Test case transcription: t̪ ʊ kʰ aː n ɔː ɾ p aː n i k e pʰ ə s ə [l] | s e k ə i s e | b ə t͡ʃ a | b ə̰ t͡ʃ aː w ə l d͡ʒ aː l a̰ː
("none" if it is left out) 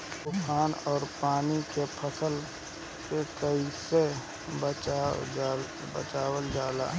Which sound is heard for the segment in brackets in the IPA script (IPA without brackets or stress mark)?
l